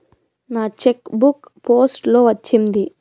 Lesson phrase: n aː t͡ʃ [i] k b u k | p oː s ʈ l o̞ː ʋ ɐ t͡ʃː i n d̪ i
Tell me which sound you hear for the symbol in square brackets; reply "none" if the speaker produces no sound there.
e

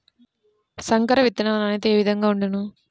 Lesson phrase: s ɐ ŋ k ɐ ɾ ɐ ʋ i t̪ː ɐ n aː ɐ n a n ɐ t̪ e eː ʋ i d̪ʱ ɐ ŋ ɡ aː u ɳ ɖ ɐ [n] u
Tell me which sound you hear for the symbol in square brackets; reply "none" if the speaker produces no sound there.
n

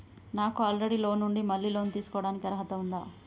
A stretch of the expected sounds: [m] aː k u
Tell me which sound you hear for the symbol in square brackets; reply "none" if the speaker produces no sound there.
n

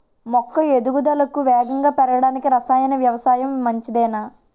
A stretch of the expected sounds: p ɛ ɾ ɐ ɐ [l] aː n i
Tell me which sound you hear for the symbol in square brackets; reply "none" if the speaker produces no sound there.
ɽ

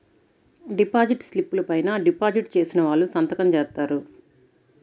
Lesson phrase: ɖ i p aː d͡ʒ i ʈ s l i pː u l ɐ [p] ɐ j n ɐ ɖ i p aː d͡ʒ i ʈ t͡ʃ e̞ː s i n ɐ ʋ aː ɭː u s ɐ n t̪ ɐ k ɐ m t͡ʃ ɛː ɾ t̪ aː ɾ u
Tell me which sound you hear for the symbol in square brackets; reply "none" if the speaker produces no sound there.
p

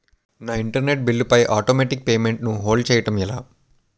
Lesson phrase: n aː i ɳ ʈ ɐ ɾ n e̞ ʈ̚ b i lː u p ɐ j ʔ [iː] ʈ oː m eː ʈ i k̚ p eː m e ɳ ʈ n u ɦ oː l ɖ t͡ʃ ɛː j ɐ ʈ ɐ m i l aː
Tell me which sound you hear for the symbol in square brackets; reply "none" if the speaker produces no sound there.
aː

